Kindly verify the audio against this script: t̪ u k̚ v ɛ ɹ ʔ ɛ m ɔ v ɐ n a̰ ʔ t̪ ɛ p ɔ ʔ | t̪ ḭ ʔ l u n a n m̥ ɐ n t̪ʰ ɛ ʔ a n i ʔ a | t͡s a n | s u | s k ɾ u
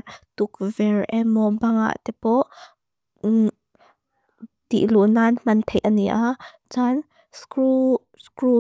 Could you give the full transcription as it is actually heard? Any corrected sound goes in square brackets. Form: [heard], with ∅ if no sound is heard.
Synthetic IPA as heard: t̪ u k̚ v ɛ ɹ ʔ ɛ m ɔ [b] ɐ [ŋ] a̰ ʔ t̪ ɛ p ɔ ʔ | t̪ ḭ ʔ l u n a n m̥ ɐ n t̪ʰ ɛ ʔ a n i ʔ a | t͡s a n | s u | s k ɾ u

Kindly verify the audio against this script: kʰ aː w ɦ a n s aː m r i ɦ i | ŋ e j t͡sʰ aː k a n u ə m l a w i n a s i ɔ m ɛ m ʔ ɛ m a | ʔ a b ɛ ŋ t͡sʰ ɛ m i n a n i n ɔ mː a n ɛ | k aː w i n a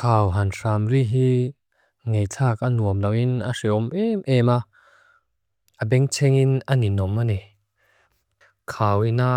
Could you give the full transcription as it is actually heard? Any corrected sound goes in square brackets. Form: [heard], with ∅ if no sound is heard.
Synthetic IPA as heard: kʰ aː w ɦ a n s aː m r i ɦ i | ŋ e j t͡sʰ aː k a n u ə m l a w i n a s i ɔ m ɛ m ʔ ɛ m a | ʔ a b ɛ ŋ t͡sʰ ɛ [ŋ] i n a n i n ɔ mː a n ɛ | [kʰ] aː w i n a

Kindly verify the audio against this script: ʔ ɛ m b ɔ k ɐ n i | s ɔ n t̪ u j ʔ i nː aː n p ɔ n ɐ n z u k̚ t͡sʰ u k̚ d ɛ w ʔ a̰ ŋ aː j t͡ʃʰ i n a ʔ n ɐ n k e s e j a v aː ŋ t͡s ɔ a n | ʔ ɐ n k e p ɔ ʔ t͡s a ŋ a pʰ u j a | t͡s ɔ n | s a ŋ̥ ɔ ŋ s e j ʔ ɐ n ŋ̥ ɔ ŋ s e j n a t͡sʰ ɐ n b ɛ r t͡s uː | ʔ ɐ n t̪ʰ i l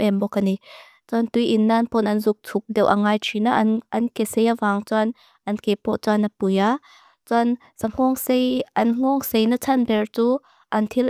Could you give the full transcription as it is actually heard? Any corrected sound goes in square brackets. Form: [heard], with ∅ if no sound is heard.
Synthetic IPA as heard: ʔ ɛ m b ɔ k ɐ n i | [t͡s] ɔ n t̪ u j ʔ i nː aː n p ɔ n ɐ n z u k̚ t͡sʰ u k̚ d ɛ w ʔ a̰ ŋ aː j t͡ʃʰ i n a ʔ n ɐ n k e s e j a v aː ŋ t͡s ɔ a n | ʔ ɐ n k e p ɔ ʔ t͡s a [n] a [p] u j a | t͡s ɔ n | s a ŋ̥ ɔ ŋ s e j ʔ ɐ n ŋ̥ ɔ ŋ s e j n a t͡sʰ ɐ n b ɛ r t͡s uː | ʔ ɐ n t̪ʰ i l

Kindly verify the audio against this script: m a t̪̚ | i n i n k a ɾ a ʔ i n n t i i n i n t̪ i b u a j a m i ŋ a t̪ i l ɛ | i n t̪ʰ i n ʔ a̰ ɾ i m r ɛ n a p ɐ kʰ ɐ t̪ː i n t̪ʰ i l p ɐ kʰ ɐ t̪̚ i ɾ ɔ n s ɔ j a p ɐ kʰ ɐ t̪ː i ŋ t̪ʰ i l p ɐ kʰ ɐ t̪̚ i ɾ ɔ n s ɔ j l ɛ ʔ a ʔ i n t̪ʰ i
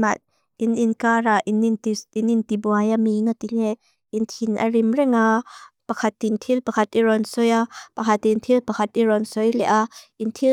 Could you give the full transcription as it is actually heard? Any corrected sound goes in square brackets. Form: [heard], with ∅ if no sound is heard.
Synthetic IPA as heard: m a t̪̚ | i n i n k a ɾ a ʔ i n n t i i n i n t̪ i b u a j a m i ŋ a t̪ i l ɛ | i n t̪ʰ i n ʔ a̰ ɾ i m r ɛ [ŋ] a p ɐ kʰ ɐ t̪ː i n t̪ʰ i l p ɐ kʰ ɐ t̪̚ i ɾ ɔ n s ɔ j a p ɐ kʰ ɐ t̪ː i [n] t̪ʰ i l p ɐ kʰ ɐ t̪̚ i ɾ ɔ n s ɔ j l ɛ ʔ a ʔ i n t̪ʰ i

